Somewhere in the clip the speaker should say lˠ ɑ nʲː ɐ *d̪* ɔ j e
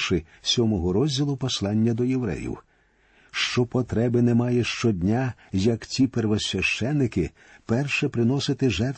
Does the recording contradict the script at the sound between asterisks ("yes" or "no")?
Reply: no